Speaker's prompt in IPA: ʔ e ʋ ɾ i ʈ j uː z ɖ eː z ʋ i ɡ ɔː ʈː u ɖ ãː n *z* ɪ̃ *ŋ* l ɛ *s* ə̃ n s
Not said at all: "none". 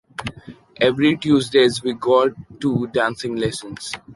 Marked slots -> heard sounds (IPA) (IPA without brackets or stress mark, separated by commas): s, ŋ, s